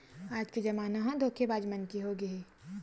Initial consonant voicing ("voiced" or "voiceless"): voiced